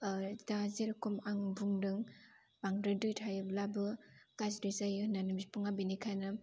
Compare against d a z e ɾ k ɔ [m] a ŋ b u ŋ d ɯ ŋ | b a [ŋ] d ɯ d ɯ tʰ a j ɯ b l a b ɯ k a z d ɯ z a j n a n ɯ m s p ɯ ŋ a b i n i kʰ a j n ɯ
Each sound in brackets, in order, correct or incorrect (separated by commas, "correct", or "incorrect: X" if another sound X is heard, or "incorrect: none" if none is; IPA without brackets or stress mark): correct, correct